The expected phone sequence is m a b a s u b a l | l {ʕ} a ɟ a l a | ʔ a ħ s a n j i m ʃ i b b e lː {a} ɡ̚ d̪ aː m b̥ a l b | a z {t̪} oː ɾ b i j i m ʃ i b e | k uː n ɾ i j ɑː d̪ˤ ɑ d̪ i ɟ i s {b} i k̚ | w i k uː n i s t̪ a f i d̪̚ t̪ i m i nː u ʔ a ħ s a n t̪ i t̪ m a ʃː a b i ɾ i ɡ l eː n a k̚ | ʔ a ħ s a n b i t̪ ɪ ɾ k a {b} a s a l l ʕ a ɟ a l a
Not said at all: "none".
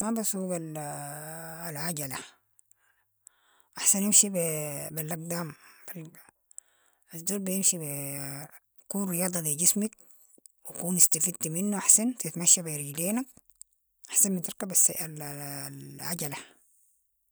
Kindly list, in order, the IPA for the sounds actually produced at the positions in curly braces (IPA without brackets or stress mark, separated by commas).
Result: ʕ, a, d̪, m, b